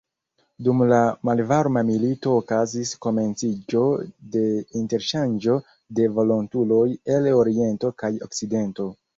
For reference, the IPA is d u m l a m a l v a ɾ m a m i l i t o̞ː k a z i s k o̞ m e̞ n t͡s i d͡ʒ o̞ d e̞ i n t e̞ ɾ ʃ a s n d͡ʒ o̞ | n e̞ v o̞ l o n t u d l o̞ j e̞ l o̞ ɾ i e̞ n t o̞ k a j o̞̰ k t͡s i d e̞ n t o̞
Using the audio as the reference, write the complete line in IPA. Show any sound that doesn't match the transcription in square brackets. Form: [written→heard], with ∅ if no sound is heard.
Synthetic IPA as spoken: d u m l a m a l v a ɾ m a m i l i t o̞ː k a z i s k o̞ m e̞ n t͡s i d͡ʒ o̞ d e̞ i n t e̞ ɾ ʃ a [s→∅] n d͡ʒ o̞ | [n→d] e̞ v o̞ l o n t u [d→∅] l o̞ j e̞ l o̞ ɾ i e̞ n t o̞ k a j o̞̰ k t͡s i d e̞ n t o̞